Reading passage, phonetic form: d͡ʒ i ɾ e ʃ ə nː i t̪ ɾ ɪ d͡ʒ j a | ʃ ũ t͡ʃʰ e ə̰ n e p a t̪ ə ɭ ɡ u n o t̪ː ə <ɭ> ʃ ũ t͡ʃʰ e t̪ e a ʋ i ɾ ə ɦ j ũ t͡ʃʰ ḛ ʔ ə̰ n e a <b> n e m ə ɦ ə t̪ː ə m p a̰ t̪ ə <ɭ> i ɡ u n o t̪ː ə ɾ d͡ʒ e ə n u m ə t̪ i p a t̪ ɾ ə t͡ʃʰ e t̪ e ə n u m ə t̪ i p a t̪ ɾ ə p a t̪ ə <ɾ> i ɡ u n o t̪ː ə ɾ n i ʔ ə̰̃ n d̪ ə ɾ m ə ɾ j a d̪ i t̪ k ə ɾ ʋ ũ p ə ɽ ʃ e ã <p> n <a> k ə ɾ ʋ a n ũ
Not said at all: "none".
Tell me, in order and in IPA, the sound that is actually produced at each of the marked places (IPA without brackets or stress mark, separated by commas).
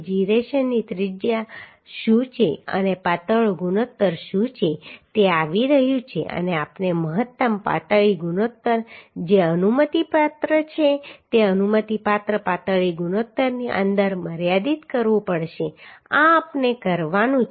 ɾ, p, ɭ, ɭ, p, e